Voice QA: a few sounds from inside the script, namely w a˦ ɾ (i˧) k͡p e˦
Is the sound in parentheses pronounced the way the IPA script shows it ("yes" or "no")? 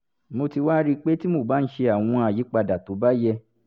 yes